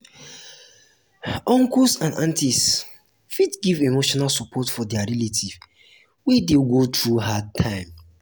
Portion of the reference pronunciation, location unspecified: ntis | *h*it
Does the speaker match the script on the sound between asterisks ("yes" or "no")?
no